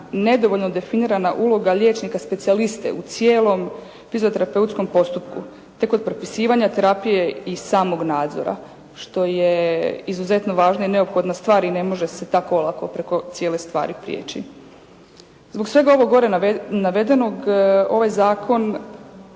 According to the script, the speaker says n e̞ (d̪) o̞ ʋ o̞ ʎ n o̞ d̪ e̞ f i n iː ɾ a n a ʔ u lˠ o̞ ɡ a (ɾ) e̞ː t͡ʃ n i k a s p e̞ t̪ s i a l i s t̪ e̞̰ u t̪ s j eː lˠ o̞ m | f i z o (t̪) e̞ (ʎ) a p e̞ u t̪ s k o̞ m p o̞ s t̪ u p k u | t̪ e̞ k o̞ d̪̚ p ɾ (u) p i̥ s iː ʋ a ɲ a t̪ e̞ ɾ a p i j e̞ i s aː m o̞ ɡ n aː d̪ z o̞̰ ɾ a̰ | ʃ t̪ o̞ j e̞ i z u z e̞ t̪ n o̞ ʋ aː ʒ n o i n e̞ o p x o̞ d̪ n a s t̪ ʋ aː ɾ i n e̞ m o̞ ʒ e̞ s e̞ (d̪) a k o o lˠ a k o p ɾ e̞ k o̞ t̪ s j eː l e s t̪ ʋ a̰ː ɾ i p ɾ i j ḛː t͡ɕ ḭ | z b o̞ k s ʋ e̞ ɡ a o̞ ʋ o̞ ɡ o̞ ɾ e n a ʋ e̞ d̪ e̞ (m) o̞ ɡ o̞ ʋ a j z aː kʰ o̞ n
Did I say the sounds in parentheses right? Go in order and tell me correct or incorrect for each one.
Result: correct, incorrect: ʎ, correct, incorrect: ɾ, incorrect: o, incorrect: t̪, incorrect: n

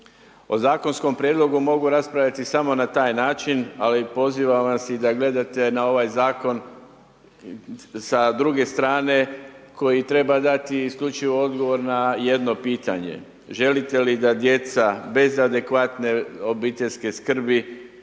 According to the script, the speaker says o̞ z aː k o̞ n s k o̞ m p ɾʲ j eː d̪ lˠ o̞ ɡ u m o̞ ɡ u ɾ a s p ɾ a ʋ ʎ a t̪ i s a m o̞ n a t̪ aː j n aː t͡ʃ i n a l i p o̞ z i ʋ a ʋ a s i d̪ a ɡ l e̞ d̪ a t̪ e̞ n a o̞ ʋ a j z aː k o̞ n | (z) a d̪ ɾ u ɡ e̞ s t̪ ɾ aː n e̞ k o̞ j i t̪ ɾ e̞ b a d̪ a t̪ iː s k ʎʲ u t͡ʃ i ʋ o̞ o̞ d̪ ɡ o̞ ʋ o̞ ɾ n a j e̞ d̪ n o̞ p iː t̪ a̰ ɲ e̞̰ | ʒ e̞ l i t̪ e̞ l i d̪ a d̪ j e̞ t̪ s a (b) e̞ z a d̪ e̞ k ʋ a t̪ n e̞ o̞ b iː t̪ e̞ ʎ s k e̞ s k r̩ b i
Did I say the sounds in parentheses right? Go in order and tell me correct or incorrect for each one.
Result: incorrect: s, correct

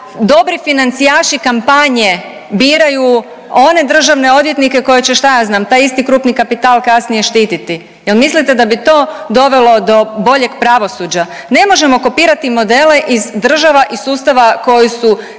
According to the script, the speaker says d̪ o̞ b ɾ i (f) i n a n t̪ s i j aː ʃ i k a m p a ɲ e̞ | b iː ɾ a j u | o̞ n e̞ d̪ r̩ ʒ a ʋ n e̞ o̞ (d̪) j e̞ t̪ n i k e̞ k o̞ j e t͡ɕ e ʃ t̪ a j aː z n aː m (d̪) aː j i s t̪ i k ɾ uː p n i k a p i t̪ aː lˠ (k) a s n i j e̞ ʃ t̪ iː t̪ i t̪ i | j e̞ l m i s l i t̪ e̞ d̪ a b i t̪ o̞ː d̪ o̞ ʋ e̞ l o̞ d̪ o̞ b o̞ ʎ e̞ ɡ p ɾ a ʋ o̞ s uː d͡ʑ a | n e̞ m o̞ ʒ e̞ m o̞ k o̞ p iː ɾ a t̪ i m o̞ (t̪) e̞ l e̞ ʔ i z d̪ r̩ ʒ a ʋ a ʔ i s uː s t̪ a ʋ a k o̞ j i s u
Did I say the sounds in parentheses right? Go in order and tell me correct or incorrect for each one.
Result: correct, correct, incorrect: t̪, correct, incorrect: d̪

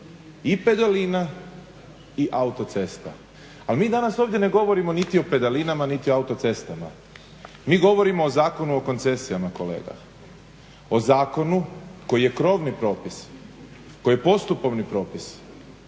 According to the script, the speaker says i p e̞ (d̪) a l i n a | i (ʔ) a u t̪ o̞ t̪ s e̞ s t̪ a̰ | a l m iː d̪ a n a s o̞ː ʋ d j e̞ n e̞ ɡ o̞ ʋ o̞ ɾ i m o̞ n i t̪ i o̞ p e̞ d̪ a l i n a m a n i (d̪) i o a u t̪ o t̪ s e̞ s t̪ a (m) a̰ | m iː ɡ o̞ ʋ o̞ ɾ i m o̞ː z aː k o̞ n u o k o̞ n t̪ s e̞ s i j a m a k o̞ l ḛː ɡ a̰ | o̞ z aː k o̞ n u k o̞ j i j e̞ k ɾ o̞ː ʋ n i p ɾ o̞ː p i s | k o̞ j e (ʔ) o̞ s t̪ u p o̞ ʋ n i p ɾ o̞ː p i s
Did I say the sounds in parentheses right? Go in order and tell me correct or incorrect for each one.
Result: correct, correct, incorrect: t̪, correct, incorrect: p

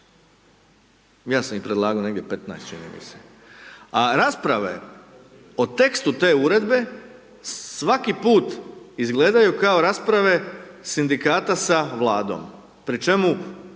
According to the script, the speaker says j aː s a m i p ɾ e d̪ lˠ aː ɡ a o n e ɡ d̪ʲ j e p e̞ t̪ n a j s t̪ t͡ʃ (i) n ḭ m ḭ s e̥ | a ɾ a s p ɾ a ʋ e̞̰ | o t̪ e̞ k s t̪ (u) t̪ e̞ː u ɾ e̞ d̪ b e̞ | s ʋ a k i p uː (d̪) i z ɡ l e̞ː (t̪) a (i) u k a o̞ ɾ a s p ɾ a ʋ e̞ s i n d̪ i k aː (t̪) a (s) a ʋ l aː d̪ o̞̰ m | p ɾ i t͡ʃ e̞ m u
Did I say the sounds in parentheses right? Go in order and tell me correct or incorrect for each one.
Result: correct, correct, incorrect: t̪, incorrect: d̪, incorrect: j, correct, correct

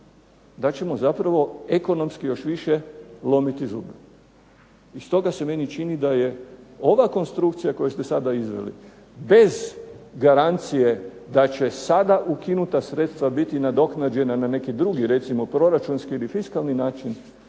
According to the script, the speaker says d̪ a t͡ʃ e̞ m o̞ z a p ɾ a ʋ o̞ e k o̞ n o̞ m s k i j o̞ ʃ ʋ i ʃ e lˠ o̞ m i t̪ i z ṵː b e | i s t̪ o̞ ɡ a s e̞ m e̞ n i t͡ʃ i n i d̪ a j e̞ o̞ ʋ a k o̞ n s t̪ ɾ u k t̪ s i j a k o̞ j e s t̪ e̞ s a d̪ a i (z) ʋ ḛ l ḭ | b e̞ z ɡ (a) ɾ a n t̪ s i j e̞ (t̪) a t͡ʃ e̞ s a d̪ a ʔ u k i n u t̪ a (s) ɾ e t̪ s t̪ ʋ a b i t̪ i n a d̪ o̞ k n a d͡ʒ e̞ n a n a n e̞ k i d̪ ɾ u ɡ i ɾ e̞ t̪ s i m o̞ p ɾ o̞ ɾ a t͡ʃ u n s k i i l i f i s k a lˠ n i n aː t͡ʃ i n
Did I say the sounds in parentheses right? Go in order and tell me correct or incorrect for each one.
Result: correct, correct, incorrect: d̪, correct

